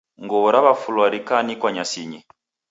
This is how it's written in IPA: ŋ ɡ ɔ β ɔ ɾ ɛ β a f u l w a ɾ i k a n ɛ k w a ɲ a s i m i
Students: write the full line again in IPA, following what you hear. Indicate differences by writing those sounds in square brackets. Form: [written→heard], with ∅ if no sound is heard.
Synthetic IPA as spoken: ŋ ɡ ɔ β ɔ ɾ [ɛ→a] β a f u l w a ɾ i k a n [ɛ→i] k w a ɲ a s i [m→ɲ] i